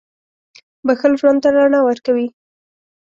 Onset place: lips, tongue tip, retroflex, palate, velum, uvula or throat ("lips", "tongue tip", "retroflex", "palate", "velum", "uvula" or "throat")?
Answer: lips